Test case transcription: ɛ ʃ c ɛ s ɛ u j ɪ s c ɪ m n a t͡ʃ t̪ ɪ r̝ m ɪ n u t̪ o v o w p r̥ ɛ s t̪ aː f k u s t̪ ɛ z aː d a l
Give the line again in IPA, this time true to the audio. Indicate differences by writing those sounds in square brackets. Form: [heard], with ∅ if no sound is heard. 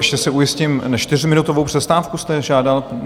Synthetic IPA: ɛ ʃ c ɛ s ɛ u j ɪ s c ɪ m n a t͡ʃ t̪ ɪ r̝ m ɪ n u t̪ o v o w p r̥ ɛ s t̪ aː f k u s t̪ ɛ [ʒ] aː d a l